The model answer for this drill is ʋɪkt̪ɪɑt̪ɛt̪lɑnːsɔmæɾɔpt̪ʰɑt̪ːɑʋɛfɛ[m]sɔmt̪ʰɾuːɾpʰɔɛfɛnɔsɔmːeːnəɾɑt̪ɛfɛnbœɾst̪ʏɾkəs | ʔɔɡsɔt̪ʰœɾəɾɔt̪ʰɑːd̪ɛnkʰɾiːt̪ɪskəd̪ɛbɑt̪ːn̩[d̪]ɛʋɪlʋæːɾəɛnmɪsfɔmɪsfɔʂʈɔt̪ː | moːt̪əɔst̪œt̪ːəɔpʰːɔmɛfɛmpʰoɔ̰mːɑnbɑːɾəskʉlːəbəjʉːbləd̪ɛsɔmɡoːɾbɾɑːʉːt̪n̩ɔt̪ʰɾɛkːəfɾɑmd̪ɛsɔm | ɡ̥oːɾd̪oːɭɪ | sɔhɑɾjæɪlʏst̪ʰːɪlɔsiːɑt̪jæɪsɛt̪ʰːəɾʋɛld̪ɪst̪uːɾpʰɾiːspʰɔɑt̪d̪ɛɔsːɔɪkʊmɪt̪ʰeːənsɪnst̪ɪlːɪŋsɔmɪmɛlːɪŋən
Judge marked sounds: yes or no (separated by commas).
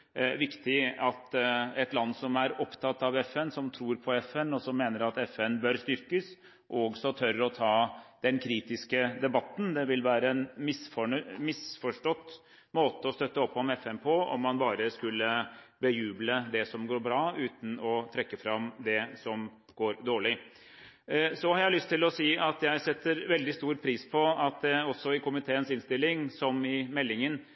no, yes